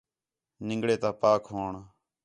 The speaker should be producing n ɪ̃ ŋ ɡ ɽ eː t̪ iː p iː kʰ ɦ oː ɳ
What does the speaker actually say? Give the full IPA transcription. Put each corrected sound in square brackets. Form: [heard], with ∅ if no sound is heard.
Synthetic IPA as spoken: n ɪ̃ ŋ ɡ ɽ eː t̪ [aː] p [aː] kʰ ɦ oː ɳ